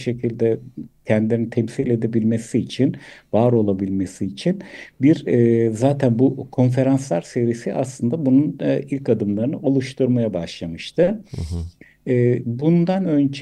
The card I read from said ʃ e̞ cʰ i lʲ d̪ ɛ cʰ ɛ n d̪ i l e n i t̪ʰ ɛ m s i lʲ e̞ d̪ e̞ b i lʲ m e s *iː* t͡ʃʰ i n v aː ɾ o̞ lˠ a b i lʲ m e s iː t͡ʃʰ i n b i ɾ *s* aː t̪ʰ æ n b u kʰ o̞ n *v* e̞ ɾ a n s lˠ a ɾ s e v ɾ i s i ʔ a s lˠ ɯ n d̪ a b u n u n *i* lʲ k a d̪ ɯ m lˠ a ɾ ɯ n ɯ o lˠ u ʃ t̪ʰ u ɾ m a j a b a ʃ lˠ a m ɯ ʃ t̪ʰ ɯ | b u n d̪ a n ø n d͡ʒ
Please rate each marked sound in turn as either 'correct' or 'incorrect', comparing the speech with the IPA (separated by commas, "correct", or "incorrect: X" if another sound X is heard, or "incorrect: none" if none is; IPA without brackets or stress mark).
correct, incorrect: z, incorrect: f, correct